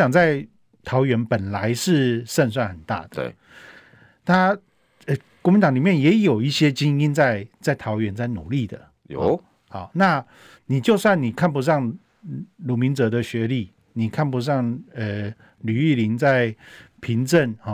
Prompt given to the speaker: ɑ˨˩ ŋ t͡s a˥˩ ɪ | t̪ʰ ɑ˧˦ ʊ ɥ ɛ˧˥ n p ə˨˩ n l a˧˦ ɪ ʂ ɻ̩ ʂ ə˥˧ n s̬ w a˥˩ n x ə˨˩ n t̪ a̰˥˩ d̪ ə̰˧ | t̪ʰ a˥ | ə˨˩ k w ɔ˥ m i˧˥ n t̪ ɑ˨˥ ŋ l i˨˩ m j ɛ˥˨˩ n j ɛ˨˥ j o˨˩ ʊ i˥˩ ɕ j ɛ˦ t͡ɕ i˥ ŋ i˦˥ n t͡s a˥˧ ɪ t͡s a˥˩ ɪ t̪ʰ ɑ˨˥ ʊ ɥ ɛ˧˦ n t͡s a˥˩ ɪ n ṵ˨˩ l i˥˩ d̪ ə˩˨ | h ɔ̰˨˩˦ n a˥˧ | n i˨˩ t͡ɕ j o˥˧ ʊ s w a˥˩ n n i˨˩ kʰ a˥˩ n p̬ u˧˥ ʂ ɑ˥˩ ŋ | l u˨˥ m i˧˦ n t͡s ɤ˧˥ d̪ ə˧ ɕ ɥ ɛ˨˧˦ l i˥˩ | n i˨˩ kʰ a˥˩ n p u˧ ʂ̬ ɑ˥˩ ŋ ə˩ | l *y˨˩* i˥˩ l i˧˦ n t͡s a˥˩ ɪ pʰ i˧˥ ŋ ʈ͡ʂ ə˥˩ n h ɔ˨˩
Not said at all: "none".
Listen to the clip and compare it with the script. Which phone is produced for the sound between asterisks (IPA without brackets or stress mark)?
y˨˩